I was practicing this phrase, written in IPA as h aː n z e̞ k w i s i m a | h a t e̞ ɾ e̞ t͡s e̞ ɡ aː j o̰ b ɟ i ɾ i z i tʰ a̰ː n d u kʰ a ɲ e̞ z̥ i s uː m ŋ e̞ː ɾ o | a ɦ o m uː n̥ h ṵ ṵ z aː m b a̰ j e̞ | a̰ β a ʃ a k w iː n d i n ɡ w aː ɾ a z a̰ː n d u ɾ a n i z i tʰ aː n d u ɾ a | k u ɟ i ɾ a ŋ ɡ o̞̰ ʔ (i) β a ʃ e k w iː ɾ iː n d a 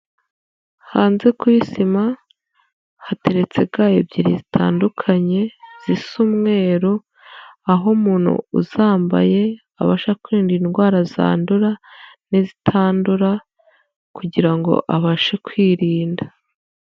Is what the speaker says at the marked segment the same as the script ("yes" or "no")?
no